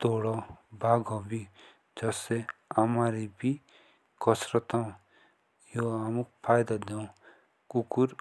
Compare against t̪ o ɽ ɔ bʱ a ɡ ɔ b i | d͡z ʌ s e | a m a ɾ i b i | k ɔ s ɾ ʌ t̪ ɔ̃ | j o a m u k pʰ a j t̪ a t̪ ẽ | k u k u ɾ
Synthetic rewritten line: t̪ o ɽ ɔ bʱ a ɡ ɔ b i | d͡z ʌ s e | a m a ɾ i b i | k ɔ s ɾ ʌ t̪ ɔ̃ | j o a m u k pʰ a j d̪ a d̪ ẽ | k u k u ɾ